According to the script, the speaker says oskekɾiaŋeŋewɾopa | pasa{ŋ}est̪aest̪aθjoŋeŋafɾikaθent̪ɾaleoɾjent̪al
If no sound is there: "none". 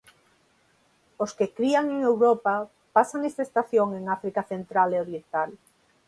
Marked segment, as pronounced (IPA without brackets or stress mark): ŋ